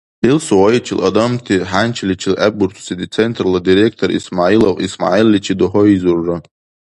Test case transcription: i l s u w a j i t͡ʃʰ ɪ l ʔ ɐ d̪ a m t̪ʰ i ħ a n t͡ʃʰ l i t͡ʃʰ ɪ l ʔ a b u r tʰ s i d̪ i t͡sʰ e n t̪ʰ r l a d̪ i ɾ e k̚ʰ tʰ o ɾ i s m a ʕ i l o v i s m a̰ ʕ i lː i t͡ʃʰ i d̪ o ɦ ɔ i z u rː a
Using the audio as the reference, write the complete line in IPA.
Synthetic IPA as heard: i l s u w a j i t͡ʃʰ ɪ l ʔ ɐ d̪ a m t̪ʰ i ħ a n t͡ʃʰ l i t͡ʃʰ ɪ l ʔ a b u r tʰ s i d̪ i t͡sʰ e n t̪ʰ r l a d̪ i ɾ e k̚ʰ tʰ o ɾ i s m a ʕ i l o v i s m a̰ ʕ i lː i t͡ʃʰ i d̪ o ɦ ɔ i z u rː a